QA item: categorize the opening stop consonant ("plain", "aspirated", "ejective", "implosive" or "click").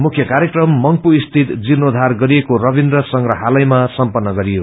aspirated